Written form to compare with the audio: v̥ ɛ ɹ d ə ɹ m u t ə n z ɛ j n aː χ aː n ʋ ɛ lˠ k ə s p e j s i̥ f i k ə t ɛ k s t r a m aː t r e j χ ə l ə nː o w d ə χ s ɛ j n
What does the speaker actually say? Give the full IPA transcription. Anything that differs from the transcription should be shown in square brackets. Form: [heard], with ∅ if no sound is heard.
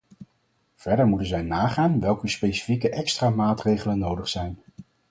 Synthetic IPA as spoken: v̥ ɛ ɹ d ə ɹ m u t ə n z ɛ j n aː χ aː n ʋ ɛ lˠ k ə s p e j s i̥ f i k ə [ʔ] ɛ k s t r a m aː t r e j χ ə l ə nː o w d ə χ s ɛ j n